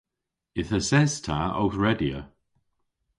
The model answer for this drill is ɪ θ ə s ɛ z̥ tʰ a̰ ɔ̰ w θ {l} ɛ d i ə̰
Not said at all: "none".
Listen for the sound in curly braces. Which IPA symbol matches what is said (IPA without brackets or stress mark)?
ɹ